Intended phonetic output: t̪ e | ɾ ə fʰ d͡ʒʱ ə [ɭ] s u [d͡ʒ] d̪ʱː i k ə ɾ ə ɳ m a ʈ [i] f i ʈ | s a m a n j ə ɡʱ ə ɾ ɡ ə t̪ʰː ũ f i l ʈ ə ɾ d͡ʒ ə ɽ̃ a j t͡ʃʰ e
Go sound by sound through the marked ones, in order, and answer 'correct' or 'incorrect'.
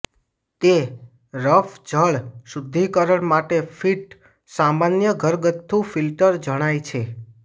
correct, incorrect: none, incorrect: e

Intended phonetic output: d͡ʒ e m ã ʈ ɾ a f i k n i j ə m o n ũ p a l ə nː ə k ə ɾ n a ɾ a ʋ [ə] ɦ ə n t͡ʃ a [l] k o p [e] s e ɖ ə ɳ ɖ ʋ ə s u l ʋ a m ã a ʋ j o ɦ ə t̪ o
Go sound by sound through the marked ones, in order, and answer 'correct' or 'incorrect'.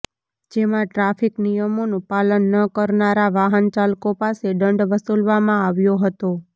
incorrect: a, correct, incorrect: a

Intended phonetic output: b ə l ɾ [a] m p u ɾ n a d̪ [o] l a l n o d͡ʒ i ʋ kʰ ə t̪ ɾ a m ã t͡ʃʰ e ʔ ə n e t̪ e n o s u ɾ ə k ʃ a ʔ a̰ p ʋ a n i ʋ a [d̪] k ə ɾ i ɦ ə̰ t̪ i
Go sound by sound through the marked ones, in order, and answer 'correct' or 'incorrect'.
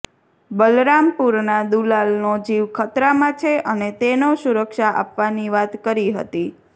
correct, incorrect: u, incorrect: t̪

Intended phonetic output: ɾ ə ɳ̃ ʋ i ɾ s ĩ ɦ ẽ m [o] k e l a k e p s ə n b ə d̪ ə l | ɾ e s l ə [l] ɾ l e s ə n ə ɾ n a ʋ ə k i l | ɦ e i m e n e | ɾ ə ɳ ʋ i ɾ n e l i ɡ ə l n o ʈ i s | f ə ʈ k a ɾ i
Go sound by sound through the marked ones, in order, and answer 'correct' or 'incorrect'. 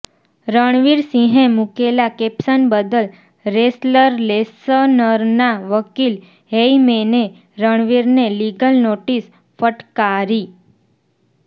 incorrect: u, incorrect: none

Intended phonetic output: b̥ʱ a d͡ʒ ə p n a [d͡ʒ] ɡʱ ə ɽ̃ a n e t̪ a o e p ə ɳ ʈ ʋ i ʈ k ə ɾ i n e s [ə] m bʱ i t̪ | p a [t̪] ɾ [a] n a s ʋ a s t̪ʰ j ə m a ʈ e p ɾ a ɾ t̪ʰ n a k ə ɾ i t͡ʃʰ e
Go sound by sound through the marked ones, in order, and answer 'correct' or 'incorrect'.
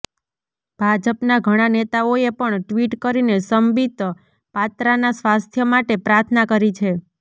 incorrect: none, correct, correct, correct

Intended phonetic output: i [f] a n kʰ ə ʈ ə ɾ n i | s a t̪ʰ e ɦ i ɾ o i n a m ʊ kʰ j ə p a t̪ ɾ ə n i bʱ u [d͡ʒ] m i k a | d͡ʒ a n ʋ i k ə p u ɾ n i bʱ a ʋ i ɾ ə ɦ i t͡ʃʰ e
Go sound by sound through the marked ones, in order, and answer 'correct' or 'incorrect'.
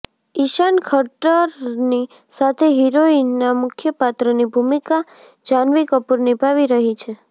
incorrect: ʃ, incorrect: none

